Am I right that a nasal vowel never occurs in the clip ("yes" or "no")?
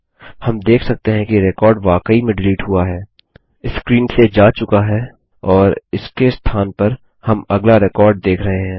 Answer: no